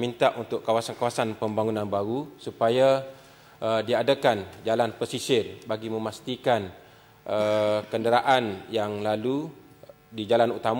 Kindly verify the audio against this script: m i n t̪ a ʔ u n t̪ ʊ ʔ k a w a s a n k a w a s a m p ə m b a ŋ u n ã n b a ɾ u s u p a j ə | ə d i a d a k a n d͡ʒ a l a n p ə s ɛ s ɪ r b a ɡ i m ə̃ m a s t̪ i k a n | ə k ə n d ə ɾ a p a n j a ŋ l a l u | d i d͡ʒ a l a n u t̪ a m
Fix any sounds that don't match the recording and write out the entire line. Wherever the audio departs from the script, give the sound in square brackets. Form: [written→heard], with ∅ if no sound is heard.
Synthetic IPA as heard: m i n t̪ a ʔ u n t̪ ʊ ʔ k a w a s a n k a w a s a [m→n] p ə m b a ŋ u n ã n b a ɾ u s u p a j [ə→a] | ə d i a d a k a n d͡ʒ a l a n p ə s [ɛ→i] s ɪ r b a ɡ i m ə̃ m a s t̪ i k a n | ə k ə n d ə ɾ a [p→ʔ] a n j a ŋ l a l u | d i d͡ʒ a l a n u t̪ a m